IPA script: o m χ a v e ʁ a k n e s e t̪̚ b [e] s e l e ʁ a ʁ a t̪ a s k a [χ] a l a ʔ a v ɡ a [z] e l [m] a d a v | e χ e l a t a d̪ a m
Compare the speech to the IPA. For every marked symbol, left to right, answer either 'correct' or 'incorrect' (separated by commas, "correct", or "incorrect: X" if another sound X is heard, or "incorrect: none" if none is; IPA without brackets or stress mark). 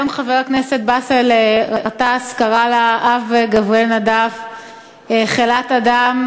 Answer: incorrect: a, incorrect: ʁ, incorrect: v, incorrect: n